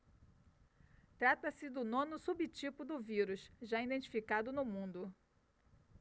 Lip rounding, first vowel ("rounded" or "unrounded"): unrounded